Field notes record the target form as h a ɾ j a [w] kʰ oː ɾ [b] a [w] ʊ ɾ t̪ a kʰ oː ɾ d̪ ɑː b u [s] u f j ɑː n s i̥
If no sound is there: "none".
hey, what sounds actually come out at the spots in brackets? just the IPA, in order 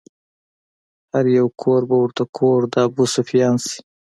w, b, w, s

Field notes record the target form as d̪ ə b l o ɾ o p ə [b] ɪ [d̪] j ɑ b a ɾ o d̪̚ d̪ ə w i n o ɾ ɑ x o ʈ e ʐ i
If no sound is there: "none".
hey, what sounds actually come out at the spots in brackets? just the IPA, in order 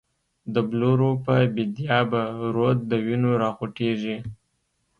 b, d̪

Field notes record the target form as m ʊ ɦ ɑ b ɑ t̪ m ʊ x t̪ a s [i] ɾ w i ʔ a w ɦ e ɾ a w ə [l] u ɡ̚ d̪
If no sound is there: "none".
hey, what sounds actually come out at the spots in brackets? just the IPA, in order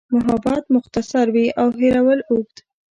a, l

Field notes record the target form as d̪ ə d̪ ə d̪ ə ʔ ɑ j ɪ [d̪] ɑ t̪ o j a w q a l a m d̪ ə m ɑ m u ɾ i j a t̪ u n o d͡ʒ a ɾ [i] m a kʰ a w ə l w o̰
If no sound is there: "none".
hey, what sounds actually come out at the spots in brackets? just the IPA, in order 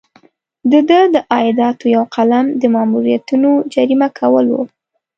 d̪, i

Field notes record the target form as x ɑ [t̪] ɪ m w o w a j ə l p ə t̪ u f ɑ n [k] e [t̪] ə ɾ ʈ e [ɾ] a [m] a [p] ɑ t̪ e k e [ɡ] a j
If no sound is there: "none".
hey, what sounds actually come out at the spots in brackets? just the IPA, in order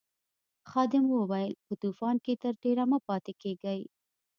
d̪, k, t̪, ɾ, m, p, ɡ

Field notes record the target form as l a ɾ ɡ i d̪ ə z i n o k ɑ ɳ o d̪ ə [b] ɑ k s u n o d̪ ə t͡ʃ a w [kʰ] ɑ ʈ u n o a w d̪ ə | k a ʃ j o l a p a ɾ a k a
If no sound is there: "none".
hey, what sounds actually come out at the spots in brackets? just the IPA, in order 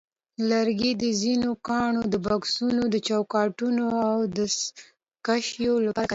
b, k

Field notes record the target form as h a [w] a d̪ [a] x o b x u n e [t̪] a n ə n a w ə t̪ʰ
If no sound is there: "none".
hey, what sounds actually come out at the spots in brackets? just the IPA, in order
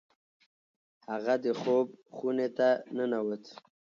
ɣ, ə, t̪

